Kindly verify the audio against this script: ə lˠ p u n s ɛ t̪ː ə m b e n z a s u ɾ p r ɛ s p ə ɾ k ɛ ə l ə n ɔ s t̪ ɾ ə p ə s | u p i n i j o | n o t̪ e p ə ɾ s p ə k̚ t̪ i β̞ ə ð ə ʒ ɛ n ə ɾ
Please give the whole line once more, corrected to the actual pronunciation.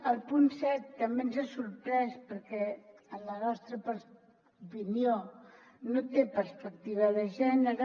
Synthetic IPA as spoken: ə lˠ p u n s ɛ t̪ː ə m b e n z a s u ɾ p ɾ ɛ s p ə ɾ k ɛ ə l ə n ɔ s t̪ ɾ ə p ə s | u p i n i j o | n o t̪ e p ə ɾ s p ə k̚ t̪ i β̞ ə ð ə ʒ ɛ n ə ɾ